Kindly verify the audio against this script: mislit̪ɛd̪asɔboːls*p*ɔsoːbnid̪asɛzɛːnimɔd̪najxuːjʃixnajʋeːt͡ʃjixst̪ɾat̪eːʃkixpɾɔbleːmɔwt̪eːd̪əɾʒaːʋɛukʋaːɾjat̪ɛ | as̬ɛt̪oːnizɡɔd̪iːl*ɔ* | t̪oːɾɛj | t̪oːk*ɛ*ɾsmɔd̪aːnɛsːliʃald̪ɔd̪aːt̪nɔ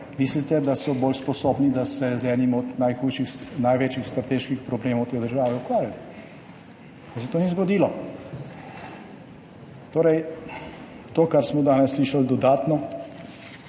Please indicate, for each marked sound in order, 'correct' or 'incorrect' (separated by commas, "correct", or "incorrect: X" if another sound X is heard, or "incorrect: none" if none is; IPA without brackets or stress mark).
correct, correct, incorrect: a